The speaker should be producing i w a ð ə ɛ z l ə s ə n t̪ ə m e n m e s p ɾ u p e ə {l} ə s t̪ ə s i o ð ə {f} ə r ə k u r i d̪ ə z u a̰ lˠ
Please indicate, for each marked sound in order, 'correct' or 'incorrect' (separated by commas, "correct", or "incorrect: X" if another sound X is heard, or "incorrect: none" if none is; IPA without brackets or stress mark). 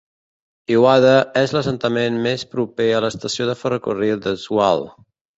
correct, correct